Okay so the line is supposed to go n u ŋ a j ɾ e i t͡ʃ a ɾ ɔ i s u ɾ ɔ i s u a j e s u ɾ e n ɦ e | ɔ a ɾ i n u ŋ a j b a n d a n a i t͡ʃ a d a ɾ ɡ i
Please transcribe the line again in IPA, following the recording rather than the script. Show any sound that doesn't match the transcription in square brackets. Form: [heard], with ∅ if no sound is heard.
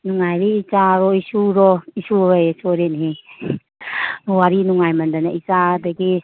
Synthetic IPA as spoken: n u ŋ a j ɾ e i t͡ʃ a ɾ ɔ i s u ɾ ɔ i s u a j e s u ɾ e n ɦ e | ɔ a ɾ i n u ŋ a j [m] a n d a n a i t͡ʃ a d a [∅] ɡ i